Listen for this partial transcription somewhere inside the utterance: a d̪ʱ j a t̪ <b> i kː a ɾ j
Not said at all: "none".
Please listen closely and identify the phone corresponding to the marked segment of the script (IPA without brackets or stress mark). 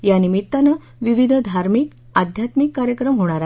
m